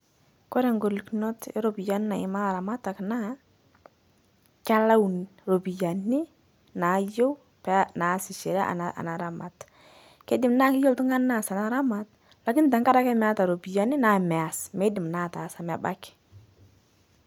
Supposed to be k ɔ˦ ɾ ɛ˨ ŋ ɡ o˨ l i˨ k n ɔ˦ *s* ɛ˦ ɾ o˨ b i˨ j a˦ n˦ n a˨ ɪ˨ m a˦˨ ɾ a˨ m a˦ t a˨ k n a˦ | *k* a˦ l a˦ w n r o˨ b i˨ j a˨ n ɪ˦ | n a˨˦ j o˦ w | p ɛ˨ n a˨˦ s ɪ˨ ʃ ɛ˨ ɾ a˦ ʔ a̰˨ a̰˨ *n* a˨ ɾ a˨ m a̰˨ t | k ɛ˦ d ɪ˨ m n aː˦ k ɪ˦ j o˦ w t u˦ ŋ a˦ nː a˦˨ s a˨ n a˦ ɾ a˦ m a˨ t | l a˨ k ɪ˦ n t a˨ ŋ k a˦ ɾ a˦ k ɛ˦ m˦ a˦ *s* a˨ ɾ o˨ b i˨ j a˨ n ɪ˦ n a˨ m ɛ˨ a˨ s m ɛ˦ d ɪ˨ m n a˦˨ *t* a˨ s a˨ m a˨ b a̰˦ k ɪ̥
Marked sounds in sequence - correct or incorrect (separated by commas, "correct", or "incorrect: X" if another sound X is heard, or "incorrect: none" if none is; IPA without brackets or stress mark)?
incorrect: t, correct, correct, incorrect: t, correct